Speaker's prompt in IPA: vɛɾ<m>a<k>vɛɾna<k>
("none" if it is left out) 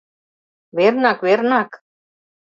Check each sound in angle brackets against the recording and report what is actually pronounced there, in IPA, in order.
n, k, k

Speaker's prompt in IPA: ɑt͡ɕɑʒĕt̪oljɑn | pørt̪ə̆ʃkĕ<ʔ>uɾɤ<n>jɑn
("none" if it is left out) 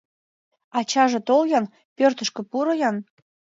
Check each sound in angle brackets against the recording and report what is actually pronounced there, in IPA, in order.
p, none

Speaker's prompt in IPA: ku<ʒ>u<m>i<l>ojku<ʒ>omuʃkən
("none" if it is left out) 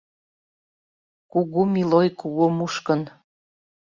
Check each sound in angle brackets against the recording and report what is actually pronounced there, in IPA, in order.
ɣ, m, l, ɣ

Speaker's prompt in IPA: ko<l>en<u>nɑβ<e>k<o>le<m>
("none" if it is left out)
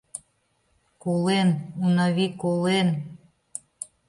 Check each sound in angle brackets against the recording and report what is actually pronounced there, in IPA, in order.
l, u, i, o, n

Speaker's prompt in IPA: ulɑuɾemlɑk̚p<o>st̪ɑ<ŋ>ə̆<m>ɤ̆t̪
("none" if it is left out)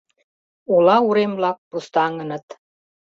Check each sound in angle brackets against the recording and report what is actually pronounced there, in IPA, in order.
u, ŋ, n

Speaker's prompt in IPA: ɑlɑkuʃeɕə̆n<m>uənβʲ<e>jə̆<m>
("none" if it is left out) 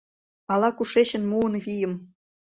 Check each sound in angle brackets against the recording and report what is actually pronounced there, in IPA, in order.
m, i, m

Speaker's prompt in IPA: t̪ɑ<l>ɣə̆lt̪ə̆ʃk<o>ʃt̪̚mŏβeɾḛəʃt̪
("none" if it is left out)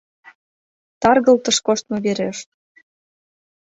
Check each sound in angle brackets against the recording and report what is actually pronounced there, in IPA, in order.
r, o

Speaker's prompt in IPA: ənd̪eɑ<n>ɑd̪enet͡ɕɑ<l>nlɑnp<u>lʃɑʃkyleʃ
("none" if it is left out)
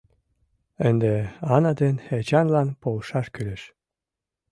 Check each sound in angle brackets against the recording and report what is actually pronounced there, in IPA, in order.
n, none, o

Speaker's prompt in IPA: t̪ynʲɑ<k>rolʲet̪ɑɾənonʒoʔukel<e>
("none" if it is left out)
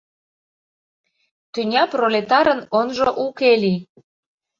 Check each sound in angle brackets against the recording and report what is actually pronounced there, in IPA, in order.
p, i

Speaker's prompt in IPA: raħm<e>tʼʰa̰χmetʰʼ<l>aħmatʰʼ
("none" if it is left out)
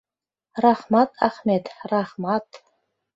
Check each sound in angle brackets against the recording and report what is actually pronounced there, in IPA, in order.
a, r

